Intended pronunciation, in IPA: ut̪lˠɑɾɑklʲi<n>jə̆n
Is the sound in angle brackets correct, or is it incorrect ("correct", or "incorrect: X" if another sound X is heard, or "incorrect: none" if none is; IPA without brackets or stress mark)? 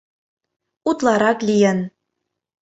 incorrect: none